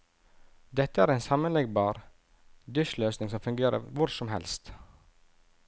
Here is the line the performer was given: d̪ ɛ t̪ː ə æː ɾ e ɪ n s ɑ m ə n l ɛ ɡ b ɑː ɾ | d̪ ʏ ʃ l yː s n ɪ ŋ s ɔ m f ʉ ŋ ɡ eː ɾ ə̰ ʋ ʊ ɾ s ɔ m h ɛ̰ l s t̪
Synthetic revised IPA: d̪ ɛ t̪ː ə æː ɾ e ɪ n s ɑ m ə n l ɛ ɡ b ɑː ɾ | d̪ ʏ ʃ l øː s n ɪ ŋ s ɔ m f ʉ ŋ ɡ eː ɾ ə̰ ʋ ʊ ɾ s ɔ m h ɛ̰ l s t̪